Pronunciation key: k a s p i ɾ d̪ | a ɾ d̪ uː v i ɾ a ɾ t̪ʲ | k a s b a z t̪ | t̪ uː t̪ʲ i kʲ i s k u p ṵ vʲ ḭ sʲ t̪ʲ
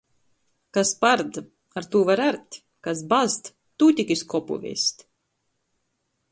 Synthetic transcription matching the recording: k a s p a ɾ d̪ | a ɾ t̪ uː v a ɾ a ɾ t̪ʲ | k a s b a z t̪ | t̪ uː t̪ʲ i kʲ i s k ɔ p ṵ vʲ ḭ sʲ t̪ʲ